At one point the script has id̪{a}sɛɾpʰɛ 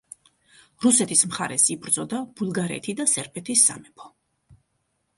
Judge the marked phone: correct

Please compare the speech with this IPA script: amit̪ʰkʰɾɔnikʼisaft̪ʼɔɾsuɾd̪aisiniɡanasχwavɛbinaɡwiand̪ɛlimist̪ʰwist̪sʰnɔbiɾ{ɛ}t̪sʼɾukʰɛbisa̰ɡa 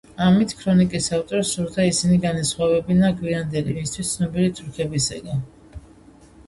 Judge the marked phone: incorrect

